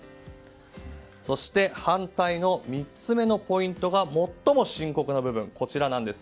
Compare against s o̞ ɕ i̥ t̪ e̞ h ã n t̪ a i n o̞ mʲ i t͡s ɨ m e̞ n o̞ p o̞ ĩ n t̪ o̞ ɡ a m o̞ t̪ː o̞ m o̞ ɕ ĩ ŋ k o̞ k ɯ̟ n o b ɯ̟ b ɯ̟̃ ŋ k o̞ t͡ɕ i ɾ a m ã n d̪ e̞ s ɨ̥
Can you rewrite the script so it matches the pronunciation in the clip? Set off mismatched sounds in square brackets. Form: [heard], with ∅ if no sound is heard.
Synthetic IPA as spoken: s o̞ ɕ i̥ t̪ e̞ h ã n t̪ a i n o̞ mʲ i t͡s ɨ m e̞ n o̞ p o̞ ĩ n t̪ o̞ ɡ a m o̞ t̪ː o̞ m o̞ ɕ ĩ ŋ k o̞ k ɯ̟ n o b ɯ̟ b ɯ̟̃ ŋ k o̞ t͡ɕ i ɾ a [n] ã n d̪ e̞ s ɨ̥